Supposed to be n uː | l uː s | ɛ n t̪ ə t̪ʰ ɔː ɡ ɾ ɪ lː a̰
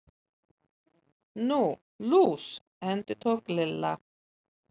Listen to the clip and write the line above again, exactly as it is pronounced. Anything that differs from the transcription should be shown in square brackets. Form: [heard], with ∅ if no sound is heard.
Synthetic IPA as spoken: n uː | l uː s | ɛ n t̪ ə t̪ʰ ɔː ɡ [l] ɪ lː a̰